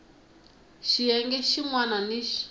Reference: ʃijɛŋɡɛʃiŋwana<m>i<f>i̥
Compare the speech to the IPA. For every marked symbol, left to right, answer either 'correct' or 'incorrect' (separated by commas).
incorrect, incorrect